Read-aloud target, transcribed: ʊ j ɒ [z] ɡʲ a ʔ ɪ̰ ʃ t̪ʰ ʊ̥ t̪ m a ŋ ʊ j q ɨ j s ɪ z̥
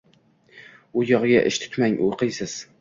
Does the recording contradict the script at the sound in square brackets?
yes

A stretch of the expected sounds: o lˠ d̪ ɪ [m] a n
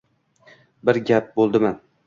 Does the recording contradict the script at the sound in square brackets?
no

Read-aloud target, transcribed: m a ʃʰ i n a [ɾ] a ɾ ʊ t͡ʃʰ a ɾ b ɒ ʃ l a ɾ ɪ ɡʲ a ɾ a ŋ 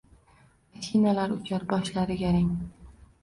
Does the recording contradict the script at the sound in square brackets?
yes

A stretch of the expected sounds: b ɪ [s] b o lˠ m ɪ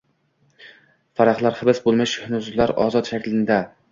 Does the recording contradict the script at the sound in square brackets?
no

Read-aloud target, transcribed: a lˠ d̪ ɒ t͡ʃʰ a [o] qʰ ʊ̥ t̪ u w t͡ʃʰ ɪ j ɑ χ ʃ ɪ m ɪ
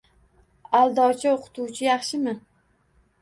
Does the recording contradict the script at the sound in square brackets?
no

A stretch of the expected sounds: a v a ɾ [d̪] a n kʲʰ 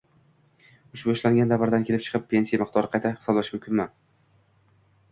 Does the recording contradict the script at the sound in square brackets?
no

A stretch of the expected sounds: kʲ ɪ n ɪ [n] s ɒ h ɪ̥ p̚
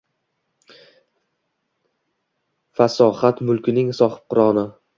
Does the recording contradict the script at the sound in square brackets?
yes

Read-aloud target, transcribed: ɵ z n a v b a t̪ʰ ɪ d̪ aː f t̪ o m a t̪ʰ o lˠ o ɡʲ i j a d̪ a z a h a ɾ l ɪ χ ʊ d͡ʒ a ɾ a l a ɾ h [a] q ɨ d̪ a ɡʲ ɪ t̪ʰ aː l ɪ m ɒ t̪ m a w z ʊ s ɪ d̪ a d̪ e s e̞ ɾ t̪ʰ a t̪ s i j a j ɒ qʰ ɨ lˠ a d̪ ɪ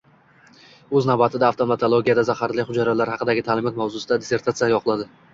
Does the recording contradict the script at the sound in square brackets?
yes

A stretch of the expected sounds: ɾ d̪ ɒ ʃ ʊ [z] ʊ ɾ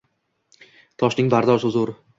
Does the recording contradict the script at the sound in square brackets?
no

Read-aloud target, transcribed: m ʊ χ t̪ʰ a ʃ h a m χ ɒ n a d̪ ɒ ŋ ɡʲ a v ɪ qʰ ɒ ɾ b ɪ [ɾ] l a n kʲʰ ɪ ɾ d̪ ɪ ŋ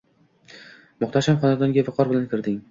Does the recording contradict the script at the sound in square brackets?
yes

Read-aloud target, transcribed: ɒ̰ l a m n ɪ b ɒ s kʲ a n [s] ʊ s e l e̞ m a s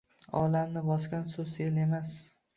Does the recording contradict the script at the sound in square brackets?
no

